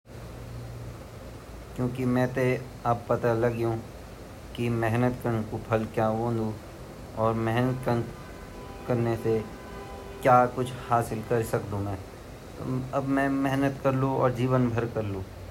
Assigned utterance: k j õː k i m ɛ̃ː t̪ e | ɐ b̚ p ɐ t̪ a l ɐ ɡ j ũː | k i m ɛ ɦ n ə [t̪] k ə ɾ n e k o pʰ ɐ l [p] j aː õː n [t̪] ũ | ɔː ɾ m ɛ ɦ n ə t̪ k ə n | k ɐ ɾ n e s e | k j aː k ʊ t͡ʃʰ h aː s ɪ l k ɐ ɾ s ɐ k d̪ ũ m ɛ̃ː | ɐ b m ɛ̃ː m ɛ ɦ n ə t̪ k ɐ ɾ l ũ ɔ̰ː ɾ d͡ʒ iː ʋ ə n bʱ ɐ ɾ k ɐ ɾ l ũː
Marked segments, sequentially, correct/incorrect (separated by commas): correct, incorrect, incorrect